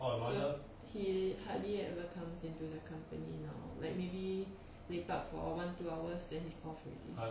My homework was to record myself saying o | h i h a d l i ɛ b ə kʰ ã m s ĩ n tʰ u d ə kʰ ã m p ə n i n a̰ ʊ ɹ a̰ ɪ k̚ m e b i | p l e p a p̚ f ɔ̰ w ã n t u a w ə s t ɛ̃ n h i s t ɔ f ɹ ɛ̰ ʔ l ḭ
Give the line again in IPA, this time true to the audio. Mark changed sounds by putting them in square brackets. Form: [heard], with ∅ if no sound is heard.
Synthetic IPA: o | h i h a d l i ɛ [v] ə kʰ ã m s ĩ n [t] u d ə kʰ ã m p ə n i n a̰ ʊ [l] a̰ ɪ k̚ m e b i | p l e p a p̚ f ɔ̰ w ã n t u a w ə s [d] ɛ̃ n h i s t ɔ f ɹ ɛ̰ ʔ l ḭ